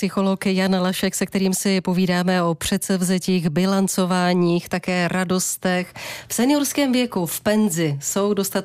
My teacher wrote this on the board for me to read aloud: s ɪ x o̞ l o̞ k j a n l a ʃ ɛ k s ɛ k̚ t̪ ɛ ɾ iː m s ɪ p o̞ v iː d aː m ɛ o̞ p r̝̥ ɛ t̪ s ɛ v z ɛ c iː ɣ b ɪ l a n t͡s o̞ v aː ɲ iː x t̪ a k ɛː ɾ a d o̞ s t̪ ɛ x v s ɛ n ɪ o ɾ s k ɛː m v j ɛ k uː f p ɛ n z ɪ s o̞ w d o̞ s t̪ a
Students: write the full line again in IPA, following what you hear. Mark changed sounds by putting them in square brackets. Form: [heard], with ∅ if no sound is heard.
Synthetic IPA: s ɪ x o̞ l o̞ k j a n l a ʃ ɛ k s ɛ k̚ t̪ ɛ ɾ iː m s ɪ p o̞ v iː d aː m ɛ o̞ p r̝̥ ɛ t̪ s ɛ v z ɛ c iː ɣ b ɪ l a n t͡s o̞ v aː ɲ iː x t̪ a k ɛː ɾ a d o̞ s t̪ ɛ x [f] s ɛ n ɪ o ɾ s k ɛː m v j ɛ k [u] f p ɛ n z ɪ s o̞ w d o̞ s t̪ a